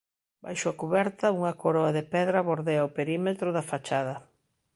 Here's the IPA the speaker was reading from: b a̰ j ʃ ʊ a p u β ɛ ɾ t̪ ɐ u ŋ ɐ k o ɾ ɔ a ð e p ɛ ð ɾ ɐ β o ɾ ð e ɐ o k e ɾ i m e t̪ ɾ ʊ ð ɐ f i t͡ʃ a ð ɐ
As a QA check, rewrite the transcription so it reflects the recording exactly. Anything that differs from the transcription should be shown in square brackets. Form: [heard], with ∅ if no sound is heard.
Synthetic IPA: b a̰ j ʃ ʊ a [k] u β ɛ ɾ t̪ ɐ u ŋ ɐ k o ɾ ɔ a ð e p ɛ ð ɾ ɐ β o ɾ ð e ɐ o [p] e ɾ i m e t̪ ɾ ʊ ð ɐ f [a] t͡ʃ a ð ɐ